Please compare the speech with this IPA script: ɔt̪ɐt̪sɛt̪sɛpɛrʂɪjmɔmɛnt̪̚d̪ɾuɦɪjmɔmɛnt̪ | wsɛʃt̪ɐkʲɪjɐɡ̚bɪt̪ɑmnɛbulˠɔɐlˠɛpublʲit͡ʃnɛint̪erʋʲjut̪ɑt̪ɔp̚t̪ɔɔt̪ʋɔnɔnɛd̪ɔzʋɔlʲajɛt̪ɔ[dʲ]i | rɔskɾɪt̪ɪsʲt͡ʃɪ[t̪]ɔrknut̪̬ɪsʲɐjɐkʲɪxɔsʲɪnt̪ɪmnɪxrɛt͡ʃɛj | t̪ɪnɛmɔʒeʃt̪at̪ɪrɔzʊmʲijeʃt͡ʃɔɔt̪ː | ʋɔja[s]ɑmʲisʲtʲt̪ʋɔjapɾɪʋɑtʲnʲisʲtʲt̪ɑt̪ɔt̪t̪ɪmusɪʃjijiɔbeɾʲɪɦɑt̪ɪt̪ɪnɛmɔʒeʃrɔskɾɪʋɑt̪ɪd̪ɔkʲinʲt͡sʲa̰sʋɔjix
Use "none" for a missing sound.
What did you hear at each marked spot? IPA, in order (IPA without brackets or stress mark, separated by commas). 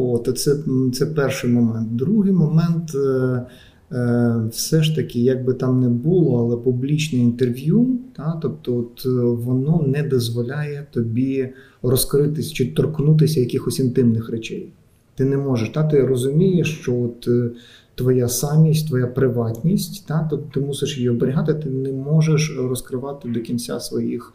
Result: bʲ, t̪, s